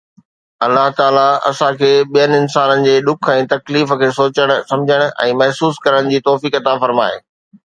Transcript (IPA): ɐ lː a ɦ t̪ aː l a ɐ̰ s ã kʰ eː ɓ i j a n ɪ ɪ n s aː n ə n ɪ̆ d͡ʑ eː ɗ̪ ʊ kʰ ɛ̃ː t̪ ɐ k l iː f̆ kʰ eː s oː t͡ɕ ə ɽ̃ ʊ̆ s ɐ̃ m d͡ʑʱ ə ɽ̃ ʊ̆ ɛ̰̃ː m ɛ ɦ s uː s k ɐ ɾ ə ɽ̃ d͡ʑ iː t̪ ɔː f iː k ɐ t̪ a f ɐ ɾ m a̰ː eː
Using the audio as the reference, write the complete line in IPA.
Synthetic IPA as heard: ɐ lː a ɦ t̪ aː l a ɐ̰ s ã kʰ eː ɓ i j ə n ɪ ɪ n s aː n ə n ɪ̆ d͡ʑ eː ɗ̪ ʊ kʰ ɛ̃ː t̪ ɐ k l iː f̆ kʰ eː s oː t͡ɕ ə ɽ̃ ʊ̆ s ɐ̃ m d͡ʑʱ ə ɽ̃ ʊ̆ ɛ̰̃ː m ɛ ɦ s uː s k ɐ ɾ ə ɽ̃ d͡ʑ iː t̪ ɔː f iː k ɐ t̪ a f ɐ ɾ m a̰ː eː